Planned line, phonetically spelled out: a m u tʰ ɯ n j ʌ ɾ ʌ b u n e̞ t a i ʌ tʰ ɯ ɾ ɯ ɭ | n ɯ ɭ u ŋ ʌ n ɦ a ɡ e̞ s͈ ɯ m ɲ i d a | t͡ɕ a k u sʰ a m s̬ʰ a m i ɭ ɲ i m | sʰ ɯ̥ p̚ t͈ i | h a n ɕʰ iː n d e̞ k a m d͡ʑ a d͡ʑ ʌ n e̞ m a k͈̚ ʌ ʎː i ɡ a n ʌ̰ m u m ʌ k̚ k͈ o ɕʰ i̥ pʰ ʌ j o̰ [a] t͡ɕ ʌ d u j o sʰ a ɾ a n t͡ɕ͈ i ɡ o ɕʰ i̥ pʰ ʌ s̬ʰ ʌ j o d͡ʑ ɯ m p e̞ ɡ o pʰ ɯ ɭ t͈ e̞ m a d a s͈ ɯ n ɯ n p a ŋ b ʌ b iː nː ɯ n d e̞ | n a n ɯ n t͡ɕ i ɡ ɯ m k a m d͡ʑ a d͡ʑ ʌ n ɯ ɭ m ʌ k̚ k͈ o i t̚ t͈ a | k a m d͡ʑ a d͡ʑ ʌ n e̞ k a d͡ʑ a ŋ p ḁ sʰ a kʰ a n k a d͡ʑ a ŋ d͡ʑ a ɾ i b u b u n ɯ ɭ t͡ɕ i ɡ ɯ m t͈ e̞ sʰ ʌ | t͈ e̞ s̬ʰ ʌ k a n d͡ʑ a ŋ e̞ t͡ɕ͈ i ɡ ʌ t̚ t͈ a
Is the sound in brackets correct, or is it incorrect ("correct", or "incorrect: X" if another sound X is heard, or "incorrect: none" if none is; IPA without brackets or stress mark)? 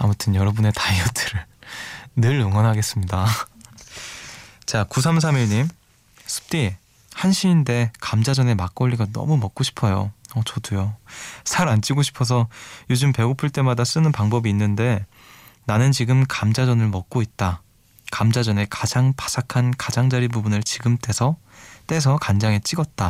incorrect: ʌ